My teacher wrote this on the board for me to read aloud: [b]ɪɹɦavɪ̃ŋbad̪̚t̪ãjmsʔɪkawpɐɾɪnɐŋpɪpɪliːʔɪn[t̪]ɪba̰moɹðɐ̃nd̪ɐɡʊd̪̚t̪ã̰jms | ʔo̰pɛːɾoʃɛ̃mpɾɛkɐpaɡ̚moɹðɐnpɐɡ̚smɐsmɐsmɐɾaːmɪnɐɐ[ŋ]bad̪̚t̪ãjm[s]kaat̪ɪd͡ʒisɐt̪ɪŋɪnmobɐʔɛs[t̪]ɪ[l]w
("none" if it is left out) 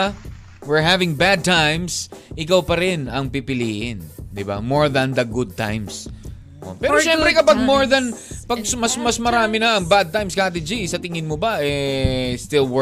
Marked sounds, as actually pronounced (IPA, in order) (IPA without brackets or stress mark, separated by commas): w, d̪, ŋ, s, t̪, l